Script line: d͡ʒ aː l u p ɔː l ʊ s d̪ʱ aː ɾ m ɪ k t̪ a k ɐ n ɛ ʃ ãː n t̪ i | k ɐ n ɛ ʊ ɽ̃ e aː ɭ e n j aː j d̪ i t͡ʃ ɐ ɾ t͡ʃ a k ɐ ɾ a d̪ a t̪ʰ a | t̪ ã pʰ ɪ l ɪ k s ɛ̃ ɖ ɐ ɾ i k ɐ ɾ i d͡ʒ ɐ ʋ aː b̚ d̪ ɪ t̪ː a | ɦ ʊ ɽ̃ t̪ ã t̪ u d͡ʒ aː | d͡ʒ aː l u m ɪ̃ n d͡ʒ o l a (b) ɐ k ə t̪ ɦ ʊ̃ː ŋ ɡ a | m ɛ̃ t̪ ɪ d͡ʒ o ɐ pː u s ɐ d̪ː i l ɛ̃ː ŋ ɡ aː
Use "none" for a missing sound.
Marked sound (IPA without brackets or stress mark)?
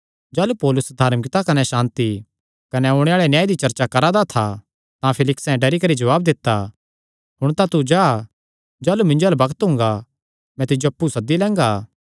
b